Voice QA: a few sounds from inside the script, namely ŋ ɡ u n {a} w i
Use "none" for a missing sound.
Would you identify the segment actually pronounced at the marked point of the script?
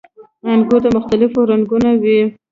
a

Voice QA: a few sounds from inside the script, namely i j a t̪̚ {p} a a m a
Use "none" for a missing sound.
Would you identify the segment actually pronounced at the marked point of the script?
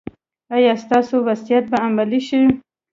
b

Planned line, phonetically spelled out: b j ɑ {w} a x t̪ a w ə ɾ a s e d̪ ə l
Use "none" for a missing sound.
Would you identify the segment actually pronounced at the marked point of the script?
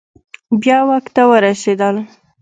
w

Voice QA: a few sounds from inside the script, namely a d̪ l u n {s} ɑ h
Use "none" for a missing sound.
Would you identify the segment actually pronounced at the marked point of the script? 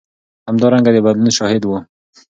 ʃ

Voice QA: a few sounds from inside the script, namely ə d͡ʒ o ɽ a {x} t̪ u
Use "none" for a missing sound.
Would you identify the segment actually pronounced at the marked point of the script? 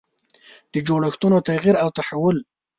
x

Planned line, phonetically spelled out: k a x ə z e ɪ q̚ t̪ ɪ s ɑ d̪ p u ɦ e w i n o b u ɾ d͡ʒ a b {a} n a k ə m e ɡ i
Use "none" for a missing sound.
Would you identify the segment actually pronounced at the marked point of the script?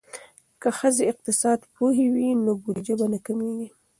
a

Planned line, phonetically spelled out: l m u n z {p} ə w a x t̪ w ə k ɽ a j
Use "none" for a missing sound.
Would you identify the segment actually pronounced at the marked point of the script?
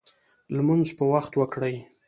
p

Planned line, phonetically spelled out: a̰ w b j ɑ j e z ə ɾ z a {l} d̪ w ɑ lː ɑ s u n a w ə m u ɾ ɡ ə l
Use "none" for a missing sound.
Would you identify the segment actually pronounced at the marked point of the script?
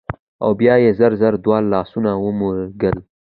ɾ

